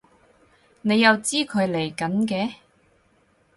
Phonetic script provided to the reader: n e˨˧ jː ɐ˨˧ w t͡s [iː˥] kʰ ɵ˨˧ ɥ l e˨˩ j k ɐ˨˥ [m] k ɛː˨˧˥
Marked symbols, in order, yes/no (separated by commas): yes, no